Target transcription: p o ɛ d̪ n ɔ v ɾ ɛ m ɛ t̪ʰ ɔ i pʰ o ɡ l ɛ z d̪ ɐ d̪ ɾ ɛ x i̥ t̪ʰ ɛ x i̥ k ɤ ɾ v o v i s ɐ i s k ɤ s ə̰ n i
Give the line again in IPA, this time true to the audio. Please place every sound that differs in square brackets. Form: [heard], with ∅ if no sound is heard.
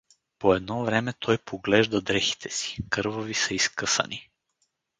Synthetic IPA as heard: p o ɛ d̪ n ɔ v ɾ ɛ m ɛ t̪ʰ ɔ [j] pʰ o ɡ l ɛ [ʒ] d̪ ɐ d̪ ɾ ɛ x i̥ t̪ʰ ɛ [s] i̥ k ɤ ɾ v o v i s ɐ i s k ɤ s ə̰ n i